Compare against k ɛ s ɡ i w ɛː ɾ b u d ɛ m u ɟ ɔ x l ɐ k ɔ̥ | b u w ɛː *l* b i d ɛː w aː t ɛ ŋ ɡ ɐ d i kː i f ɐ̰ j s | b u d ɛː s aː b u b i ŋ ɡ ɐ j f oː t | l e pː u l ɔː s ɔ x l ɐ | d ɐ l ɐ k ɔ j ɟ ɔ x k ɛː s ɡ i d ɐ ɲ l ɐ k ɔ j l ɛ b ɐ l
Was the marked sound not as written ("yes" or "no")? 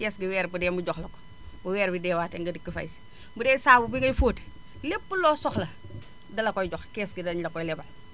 yes